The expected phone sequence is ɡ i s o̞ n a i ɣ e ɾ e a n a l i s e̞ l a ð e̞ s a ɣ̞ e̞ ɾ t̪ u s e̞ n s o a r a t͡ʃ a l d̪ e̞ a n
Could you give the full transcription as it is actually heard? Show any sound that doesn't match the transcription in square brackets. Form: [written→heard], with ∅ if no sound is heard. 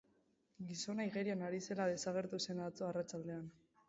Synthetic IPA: ɡ i s o̞ n a i ɣ e ɾ [e→i] a n a [l→ɾ] i s e̞ l a ð e̞ s a ɣ̞ e̞ ɾ t̪ u s e̞ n [s→t͡s] o a r a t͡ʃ a l d̪ e̞ a n